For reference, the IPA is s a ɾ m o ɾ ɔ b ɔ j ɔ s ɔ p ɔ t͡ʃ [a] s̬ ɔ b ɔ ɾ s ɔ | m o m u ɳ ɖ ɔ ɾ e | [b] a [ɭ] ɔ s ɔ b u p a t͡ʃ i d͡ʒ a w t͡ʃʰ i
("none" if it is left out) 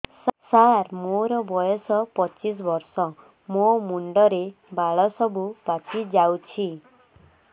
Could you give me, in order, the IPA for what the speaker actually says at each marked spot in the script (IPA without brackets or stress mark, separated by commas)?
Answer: i, b, ɭ